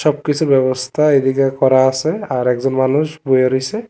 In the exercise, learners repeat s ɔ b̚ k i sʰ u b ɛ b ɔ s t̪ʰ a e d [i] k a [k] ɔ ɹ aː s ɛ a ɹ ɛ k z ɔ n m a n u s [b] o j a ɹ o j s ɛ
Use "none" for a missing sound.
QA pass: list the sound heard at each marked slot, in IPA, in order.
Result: i, k, b

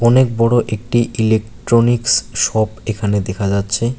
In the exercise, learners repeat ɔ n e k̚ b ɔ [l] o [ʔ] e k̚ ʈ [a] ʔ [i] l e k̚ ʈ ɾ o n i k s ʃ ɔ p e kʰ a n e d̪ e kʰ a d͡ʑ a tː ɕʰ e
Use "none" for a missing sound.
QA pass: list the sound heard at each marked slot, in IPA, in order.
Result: ɽ, ʔ, i, i

